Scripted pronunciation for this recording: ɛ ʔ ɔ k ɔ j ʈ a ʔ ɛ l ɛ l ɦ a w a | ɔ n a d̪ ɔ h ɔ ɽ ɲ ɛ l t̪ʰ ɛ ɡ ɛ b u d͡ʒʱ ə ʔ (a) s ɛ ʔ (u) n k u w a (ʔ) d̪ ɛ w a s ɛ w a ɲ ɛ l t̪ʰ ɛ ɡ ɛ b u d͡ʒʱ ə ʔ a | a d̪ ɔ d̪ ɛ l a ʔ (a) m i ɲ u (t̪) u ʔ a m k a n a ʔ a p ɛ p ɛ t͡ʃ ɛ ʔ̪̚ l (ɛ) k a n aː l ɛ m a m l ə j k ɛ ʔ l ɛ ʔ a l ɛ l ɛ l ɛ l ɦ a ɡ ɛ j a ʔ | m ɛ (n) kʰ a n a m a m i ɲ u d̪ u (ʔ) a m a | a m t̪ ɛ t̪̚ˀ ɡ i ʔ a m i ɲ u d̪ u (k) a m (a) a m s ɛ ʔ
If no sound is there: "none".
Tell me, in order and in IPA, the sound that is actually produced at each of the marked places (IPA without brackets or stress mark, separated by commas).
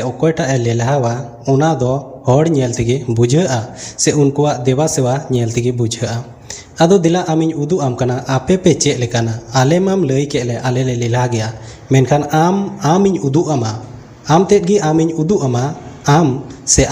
a, u, ʔ, a, d̪, ɛ, n, ʔ, ʔ, a